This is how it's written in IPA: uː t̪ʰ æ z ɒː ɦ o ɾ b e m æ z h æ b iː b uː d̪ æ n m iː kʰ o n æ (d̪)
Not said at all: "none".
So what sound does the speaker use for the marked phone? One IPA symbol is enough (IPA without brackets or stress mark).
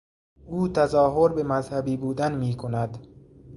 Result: d̪